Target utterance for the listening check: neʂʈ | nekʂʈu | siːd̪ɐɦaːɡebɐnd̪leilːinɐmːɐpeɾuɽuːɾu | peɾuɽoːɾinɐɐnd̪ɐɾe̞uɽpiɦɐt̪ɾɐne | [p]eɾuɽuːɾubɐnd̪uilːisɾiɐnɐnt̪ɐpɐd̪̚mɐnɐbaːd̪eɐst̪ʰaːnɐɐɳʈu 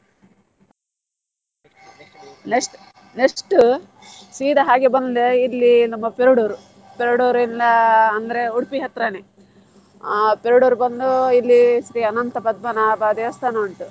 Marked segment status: correct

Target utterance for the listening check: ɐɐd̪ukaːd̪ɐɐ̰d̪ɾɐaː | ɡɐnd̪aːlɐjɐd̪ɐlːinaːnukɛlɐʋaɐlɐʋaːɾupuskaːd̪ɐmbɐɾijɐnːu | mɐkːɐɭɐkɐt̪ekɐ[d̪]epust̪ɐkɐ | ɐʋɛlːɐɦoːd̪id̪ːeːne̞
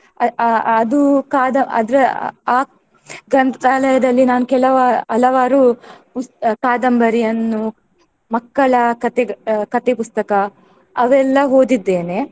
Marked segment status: incorrect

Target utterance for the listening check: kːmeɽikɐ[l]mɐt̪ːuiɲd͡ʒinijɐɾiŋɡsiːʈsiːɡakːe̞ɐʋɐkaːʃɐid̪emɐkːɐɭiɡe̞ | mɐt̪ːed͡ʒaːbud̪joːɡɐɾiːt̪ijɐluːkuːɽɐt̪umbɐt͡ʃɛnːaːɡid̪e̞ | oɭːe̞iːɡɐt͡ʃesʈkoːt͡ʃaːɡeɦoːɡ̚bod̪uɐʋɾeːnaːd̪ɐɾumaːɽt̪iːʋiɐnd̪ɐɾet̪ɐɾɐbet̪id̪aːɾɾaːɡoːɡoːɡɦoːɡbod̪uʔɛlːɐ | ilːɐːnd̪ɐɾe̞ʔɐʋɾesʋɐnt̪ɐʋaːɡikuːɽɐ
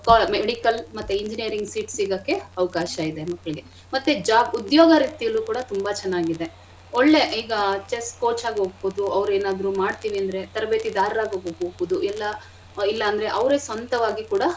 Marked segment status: correct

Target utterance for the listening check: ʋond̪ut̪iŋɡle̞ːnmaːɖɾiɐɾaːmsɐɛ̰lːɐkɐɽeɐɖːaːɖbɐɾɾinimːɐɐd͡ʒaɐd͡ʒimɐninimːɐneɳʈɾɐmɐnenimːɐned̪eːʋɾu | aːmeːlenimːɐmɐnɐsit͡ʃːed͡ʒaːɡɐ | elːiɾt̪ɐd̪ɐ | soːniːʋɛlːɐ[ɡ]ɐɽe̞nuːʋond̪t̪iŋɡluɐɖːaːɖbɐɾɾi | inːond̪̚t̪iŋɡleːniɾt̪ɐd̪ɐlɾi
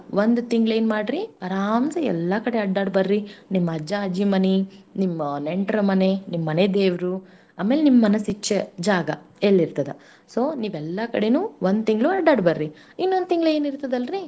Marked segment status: incorrect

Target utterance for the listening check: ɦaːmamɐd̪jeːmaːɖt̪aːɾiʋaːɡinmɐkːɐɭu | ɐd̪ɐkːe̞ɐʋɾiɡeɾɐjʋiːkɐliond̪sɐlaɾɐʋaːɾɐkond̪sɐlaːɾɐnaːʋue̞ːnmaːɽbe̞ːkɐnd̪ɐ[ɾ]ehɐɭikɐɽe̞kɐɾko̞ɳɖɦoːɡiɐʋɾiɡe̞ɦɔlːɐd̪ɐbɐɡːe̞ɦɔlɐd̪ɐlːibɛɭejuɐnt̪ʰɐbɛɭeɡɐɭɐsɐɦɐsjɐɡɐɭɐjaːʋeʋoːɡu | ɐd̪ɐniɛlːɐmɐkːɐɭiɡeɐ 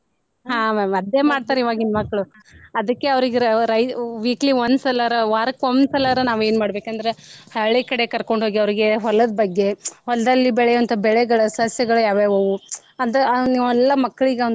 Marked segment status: correct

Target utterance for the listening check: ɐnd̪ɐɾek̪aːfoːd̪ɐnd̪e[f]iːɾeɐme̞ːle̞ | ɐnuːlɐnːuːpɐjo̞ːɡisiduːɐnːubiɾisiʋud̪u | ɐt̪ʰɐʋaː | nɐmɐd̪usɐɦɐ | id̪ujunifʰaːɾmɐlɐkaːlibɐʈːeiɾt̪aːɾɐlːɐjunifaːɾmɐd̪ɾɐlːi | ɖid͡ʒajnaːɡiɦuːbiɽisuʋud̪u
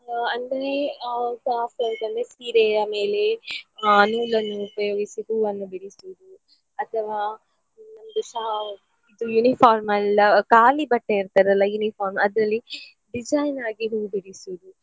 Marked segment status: incorrect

